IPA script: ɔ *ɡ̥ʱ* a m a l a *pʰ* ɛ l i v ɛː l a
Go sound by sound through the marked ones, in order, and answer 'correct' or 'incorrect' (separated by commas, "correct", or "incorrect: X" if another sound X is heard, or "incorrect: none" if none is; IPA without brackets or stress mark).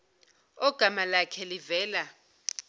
correct, incorrect: kʰ